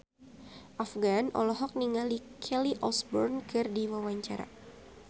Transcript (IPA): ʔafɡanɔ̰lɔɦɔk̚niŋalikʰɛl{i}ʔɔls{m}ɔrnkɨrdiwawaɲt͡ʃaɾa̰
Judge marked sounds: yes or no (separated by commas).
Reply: yes, no